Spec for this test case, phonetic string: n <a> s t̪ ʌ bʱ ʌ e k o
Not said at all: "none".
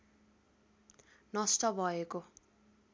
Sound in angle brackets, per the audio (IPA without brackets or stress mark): ʌ